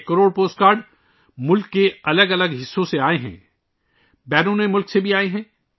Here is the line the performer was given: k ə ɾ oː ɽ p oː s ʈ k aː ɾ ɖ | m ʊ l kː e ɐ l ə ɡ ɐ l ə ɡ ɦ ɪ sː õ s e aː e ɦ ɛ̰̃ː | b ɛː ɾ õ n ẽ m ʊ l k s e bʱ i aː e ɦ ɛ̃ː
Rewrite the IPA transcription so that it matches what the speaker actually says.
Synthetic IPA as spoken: k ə ɾ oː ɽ p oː s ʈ k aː ɾ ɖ | m ʊ l kː e ɐ l ə ɡ ɐ l ə ɡ ɦ ɪ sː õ s e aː e ɦ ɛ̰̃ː | b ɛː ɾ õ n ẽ m ʊ l k s e bʱ i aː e ɦ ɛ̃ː

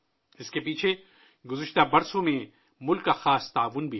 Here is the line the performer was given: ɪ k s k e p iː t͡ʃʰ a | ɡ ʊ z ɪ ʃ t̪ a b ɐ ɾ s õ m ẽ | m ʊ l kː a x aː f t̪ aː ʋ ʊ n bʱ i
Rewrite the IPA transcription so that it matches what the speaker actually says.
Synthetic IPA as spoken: ɪ s k e p iː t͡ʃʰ e | ɡ ʊ z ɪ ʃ t̪ a b ɐ ɾ s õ m ẽ | m ʊ l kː a x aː s t̪ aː ʋ ʊ n bʱ i

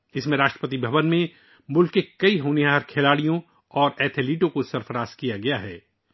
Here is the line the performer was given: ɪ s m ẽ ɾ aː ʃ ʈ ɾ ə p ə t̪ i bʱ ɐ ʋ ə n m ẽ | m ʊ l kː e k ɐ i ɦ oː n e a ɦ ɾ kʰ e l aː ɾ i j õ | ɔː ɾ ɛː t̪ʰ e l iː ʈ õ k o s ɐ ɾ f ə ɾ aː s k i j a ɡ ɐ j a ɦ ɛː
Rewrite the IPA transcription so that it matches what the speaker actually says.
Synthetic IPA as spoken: ɪ s m ẽ ɾ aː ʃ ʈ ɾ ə p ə t̪ i bʱ ɐ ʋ ə n m ẽ | m ʊ l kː e k ɐ i ɦ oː n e a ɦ ɾ kʰ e l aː ɽ i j õ | ɔː ɾ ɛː t̪ʰ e l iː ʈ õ k o s ɐ ɾ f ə ɾ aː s k i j a ɡ ɐ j a ɦ ɛː

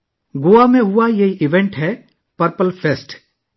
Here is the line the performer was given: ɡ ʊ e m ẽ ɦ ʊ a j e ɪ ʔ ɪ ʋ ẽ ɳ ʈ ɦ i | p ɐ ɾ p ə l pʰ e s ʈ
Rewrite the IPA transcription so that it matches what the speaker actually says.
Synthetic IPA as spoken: ɡ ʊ a m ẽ ɦ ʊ a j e i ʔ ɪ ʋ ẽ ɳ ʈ ɦ ɛ | p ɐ ɾ p ə l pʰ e s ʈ

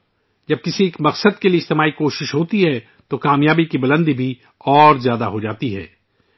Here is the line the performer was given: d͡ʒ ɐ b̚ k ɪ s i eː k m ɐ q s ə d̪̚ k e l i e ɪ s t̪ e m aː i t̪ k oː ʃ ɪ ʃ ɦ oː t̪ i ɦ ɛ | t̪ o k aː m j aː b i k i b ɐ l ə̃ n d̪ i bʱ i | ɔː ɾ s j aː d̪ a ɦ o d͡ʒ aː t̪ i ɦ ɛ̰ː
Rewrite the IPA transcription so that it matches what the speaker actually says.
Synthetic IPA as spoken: d͡ʒ ɐ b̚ k ɪ s i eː k m ɐ q s ə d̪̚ k e l i e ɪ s t̪ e m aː i k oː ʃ ɪ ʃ ɦ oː t̪ i ɦ ɛ | t̪ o k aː m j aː b i k i b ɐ l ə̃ n d̪ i bʱ i | ɔː ɾ z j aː d̪ a ɦ o d͡ʒ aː t̪ i ɦ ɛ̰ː

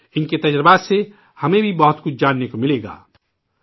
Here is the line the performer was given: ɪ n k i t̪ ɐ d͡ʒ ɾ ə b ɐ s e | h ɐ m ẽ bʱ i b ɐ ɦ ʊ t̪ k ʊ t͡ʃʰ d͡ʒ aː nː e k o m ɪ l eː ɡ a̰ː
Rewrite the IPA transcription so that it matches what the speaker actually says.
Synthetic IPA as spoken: ɪ n k e t̪ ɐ d͡ʒ ɾ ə b a s e | h ɐ m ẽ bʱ i b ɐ ɦ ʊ t̪ k ʊ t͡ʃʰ d͡ʒ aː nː e k o m ɪ l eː ɡ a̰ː

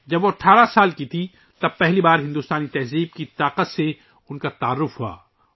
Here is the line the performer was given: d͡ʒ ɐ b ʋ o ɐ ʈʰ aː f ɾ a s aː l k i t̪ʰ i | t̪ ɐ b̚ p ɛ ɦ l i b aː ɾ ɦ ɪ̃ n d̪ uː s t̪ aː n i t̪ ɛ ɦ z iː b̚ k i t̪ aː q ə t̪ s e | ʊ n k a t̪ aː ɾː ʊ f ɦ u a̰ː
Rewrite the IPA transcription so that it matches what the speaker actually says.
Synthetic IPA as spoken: d͡ʒ ɐ b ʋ o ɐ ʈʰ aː ɾ a s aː l k i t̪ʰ i | t̪ ɐ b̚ p ɛ ɦ l i b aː ɾ ɦ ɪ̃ n d̪ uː s t̪ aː n i t̪ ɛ ɦ z iː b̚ k i t̪ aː q ə t̪ s e | ʊ n k a t̪ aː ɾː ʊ f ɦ u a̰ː

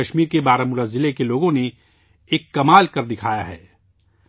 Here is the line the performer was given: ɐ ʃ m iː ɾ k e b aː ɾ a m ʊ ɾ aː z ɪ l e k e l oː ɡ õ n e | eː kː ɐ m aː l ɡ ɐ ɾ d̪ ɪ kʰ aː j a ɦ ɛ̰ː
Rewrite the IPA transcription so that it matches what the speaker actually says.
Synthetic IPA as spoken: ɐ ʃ m iː ɾ k e b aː ɾ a m ʊ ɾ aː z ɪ l e k e l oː ɡ õ n e | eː kː ɐ m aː l k ɐ ɾ d̪ ɪ kʰ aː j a ɦ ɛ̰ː

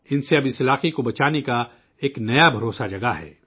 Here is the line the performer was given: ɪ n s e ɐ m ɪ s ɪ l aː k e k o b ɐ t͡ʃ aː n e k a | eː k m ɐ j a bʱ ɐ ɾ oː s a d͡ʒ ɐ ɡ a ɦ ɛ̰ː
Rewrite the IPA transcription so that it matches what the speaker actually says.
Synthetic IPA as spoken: ɪ n s e ɐ b ɪ s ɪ l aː q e k o b ɐ t͡ʃ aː n e k a | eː k n ɐ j a bʱ ɐ ɾ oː s a d͡ʒ ɐ ɡ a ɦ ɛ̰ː

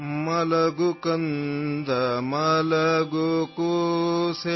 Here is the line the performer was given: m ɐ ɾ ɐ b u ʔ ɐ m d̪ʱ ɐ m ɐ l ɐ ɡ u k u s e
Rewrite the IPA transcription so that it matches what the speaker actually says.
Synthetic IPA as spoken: m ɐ l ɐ ɡ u k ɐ n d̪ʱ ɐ m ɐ l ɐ ɡ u k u s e

